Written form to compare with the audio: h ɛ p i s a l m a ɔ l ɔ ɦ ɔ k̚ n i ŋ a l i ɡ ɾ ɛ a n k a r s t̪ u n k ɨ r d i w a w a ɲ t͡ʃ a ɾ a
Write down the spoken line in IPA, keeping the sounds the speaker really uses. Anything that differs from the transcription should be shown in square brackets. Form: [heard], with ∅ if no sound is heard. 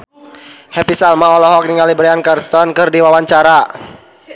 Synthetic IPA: h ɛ p i s a l m a ɔ l ɔ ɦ ɔ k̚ n i ŋ a l i [b] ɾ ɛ a n k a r s t̪ [ɔ] n k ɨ r d i w a w a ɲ t͡ʃ a ɾ a